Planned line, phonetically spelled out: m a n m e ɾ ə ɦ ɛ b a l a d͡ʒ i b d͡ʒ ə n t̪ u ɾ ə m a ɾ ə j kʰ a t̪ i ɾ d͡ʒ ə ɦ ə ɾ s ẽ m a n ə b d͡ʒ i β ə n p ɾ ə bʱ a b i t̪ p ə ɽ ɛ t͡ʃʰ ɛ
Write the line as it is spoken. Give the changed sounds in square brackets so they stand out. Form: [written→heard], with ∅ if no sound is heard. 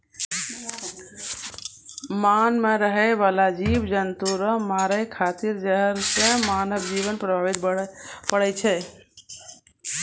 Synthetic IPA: m a n m e ɾ ə ɦ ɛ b a l a d͡ʒ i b d͡ʒ ə n t̪ u ɾ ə m a ɾ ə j kʰ a t̪ i ɾ d͡ʒ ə ɦ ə ɾ s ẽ m a n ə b d͡ʒ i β ə n p ɾ ə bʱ a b i t̪ p ə ɽ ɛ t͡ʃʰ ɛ

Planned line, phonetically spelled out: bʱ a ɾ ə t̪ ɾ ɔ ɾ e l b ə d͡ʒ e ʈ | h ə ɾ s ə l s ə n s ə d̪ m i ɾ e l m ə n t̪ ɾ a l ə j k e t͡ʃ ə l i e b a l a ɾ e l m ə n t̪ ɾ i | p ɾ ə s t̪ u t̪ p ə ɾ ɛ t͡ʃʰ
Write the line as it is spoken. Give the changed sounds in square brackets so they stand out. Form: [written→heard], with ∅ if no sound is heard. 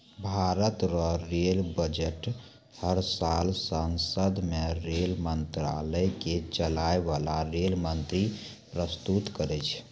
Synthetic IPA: bʱ a ɾ ə t̪ ɾ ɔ ɾ e l b ə d͡ʒ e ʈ | h ə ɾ s [ə→a] l s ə n s ə d̪ m [i→e] ɾ e l m ə n t̪ ɾ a l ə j k e t͡ʃ ə l [i→a] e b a l a ɾ e l m ə n t̪ ɾ i | p ɾ ə s t̪ u t̪ [p→k] ə ɾ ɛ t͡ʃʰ

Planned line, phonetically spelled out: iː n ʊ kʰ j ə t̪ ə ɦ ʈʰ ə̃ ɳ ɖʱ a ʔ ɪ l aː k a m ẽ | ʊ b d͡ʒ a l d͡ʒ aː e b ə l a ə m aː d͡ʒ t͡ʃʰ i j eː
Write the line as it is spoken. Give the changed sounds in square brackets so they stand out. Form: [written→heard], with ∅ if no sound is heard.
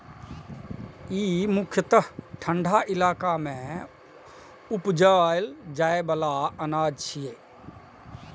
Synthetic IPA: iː [n→m] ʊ kʰ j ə t̪ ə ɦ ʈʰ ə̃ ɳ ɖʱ a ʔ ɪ l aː k a m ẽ | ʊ [b→p] d͡ʒ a l d͡ʒ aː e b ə l a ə [m→n] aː d͡ʒ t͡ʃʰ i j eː

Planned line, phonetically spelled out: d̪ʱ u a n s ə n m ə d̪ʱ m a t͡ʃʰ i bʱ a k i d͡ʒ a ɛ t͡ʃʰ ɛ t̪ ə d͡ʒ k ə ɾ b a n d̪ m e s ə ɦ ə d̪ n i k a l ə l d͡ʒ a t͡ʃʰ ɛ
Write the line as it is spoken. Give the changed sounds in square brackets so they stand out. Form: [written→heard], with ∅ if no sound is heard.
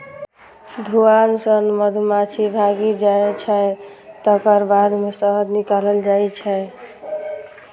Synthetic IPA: d̪ʱ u a n s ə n m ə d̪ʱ m a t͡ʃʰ i bʱ a [k→ɡ] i d͡ʒ a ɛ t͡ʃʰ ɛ t̪ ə [d͡ʒ→∅] k ə ɾ b a [n→∅] d̪ m e s ə ɦ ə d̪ n i k a l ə l d͡ʒ a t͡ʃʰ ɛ

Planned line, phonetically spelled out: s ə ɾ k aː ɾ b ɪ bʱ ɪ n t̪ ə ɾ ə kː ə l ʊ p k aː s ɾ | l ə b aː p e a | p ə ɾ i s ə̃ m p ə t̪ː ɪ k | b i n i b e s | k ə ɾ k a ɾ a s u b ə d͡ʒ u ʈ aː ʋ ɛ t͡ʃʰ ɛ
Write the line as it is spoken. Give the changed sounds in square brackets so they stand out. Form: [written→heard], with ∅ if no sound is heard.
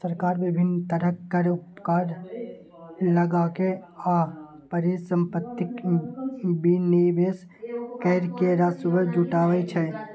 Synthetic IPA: s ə ɾ k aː ɾ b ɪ bʱ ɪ n t̪ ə ɾ ə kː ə [l→ɾ] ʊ p k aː [s→∅] ɾ | l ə [b→ɡ] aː [p→k] e a | p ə ɾ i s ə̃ m p ə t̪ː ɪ k | b i n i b e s | k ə ɾ k [a→e] ɾ a s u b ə d͡ʒ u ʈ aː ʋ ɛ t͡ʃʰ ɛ

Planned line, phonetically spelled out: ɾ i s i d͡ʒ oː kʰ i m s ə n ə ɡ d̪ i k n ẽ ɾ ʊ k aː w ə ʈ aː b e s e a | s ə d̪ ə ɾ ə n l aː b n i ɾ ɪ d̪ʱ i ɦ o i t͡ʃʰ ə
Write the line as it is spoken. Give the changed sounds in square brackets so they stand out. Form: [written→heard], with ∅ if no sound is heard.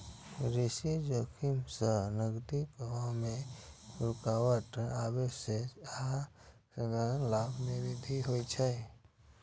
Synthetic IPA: ɾ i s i d͡ʒ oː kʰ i m s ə n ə ɡ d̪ i k [n→m] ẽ ɾ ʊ k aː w ə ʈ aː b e s e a | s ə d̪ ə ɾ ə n l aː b n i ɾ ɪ d̪ʱ i ɦ o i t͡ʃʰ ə

